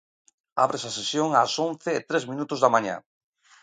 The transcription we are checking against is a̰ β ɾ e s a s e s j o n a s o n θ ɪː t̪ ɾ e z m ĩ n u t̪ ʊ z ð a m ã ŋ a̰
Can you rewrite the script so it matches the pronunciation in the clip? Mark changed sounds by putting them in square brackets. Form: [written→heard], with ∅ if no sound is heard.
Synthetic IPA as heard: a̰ β ɾ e s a s e s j o [n→ŋ] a s o n θ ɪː t̪ ɾ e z m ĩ n u t̪ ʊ z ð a m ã [ŋ→ɲ] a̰